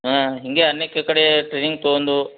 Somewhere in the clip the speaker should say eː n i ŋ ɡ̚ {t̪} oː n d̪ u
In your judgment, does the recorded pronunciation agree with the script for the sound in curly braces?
yes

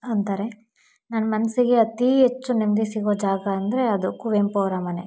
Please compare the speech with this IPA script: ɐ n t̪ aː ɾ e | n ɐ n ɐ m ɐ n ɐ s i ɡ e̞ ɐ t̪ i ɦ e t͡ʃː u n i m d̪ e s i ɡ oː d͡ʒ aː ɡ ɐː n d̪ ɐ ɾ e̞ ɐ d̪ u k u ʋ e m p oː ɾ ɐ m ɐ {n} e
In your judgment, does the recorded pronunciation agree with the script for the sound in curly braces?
yes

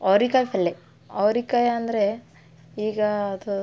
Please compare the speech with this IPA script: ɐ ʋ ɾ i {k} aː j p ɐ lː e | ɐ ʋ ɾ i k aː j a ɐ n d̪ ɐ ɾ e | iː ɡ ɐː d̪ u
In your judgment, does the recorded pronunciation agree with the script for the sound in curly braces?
yes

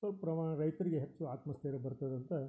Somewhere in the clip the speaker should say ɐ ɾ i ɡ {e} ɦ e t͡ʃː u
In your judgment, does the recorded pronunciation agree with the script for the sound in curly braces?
yes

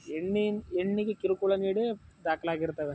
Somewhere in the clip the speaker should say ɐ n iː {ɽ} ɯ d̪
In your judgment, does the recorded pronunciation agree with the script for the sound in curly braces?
yes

